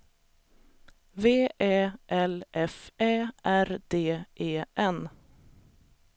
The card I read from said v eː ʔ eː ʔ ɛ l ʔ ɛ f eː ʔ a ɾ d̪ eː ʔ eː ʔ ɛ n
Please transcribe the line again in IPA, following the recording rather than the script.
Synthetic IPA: v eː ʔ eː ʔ ɛ l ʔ ɛ f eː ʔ æ ɾ d̪ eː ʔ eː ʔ ɛ n